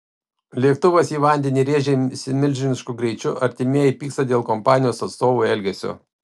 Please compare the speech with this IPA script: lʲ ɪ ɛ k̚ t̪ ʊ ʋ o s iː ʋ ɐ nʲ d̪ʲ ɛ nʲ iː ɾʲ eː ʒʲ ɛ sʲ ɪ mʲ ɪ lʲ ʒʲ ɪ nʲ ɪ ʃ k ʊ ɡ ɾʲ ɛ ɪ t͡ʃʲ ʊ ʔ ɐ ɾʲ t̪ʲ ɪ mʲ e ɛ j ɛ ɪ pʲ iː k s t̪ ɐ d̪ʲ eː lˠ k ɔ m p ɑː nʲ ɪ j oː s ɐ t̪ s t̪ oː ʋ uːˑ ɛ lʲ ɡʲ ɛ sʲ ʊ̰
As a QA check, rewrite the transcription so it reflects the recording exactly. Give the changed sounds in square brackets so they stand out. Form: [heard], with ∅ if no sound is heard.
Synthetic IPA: lʲ [i] ɛ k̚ t̪ ʊ ʋ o s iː ʋ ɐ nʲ d̪ʲ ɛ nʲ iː ɾʲ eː ʒʲ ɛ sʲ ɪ mʲ ɪ lʲ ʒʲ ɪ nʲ ɪ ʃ k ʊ ɡ ɾʲ ɛ ɪ t͡ʃʲ ʊ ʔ ɐ ɾʲ t̪ʲ ɪ mʲ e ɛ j ɛ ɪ pʲ iː k s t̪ ɐ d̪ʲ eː lˠ k ɔ m p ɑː nʲ ɪ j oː s ɐ t̪ s t̪ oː ʋ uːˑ ɛ lʲ ɡʲ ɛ sʲ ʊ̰